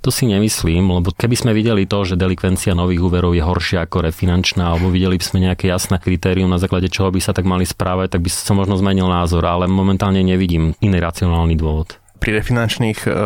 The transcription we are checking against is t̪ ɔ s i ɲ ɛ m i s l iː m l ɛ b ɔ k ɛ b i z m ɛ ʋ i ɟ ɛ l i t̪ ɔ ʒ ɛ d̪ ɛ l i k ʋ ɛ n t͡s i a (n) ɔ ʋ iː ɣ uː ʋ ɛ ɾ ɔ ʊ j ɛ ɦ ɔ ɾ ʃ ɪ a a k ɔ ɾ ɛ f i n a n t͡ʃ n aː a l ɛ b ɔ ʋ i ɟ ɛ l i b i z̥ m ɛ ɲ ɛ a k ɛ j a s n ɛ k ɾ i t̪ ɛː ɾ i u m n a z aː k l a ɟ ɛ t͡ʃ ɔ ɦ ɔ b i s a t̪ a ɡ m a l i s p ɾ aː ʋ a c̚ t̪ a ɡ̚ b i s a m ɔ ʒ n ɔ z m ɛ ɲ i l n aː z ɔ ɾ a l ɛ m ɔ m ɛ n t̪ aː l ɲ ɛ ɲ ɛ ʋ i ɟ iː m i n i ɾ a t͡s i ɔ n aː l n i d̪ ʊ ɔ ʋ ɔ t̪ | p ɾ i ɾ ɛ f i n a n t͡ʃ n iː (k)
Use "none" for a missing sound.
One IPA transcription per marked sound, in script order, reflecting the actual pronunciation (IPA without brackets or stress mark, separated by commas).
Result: n, x